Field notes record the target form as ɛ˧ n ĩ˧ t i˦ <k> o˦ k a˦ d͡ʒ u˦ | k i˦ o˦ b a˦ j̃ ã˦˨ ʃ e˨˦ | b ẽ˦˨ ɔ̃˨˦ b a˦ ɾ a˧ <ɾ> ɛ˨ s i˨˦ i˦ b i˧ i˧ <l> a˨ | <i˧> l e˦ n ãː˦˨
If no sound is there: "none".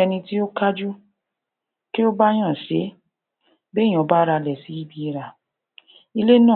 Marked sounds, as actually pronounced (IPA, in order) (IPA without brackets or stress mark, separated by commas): none, l, ɾ, i˧